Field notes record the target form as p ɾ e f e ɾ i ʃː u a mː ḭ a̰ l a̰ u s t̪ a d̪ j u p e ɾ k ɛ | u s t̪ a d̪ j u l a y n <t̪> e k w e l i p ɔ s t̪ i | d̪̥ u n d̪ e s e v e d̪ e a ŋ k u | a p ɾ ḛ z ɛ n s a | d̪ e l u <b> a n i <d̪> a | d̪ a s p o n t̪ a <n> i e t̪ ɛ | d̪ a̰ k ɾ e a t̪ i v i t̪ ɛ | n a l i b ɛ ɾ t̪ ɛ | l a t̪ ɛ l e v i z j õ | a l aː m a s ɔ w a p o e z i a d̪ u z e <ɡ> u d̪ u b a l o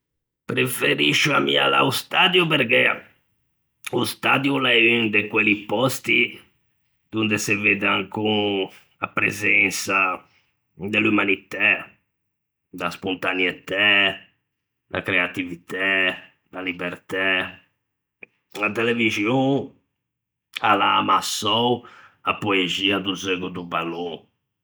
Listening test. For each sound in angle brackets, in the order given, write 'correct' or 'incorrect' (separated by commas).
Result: incorrect, incorrect, incorrect, correct, correct